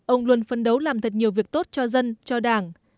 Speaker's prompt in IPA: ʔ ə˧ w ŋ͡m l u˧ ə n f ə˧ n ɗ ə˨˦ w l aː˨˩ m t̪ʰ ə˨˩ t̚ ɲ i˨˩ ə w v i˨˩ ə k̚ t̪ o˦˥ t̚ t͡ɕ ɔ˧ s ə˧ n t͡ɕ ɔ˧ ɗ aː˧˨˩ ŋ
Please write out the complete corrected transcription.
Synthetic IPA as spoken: ʔ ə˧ w ŋ͡m l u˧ ə n f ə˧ n ɗ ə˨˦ w l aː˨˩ m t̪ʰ ə˨˩ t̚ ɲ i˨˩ ə w v i˨˩ ə k̚ t̪ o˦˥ t̚ t͡ɕ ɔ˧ z ə˧ n t͡ɕ ɔ˧ ɗ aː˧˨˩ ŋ

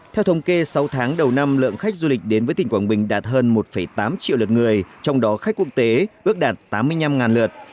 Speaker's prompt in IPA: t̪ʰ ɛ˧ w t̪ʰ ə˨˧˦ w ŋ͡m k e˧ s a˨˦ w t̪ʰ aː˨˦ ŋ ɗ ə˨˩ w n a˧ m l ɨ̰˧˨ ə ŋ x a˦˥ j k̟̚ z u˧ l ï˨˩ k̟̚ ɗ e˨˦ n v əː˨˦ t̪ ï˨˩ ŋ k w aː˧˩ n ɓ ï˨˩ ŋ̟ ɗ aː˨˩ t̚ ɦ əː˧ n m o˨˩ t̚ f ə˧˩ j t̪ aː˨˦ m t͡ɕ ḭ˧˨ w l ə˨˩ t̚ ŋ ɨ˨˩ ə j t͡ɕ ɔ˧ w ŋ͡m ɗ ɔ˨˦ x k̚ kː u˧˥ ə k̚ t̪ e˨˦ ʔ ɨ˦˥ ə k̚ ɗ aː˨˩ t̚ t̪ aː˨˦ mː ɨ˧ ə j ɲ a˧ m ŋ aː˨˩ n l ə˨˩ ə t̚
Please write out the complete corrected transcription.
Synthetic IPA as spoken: t̪ʰ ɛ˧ w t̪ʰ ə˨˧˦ w ŋ͡m k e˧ s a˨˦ w t̪ʰ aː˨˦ ŋ ɗ ə˨˩ w n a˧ m l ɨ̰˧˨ ə ŋ x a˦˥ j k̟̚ z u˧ l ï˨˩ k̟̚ ɗ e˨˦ n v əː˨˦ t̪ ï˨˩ ŋ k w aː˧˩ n ɓ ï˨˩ ŋ̟ ɗ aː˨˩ t̚ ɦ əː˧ n m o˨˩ t̚ f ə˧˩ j t̪ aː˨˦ m t͡ɕ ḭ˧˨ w l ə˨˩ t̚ ŋ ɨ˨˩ ə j t͡ɕ ɔ˧ w ŋ͡m ɗ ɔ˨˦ x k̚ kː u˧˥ ə k̚ t̪ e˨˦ ʔ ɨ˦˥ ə k̚ ɗ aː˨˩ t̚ t̪ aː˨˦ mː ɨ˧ ə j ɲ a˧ m ŋ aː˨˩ n l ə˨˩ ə t̚

